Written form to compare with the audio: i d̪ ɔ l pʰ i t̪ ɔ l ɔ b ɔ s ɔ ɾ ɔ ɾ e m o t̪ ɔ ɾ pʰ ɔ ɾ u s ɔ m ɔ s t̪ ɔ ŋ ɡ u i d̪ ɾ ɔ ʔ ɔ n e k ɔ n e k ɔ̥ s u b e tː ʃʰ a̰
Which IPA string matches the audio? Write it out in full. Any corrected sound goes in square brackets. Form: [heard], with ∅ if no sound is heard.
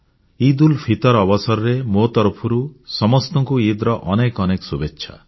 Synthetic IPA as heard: i d̪ [u] l pʰ i t̪ ɔ [ɾ] ɔ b ɔ s ɔ ɾ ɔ ɾ e m o t̪ ɔ ɾ pʰ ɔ ɾ u s ɔ m ɔ s t̪ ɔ ŋ [k] u i d̪ ɾ ɔ ʔ ɔ n e k ɔ n e k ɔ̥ s u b e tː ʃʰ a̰